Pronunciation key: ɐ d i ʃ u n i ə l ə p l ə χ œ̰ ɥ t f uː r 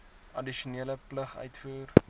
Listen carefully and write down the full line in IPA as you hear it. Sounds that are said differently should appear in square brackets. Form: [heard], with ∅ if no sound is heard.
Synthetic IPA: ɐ d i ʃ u n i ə l ə p l ə χ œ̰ ɥ t f uː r

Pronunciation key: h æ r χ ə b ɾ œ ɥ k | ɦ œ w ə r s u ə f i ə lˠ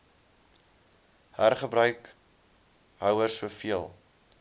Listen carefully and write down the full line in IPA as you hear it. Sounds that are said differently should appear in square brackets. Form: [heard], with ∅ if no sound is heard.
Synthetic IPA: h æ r χ ə b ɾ œ ɥ k | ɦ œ w ə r s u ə f i ə lˠ

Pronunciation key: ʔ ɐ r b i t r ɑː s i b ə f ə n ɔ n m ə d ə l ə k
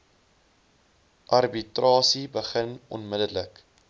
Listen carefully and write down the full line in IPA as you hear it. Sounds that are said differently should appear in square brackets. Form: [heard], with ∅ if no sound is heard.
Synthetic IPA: ʔ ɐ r b i t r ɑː s i b ə [χ] ə n ɔ n m ə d ə l ə k

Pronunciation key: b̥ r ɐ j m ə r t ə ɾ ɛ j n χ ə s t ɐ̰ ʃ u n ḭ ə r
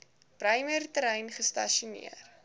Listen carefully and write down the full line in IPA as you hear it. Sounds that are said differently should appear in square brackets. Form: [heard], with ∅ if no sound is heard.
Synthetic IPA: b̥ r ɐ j m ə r t ə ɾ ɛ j n χ ə s t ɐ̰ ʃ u n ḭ ə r

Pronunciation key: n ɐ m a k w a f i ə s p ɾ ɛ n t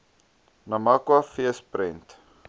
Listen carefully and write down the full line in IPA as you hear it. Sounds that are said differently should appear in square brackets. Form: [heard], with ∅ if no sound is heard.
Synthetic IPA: n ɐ m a k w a f i ə s p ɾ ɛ n t

